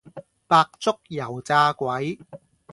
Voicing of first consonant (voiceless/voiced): voiceless